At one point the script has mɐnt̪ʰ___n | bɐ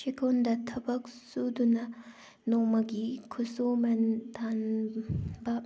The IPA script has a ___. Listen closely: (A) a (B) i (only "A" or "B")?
A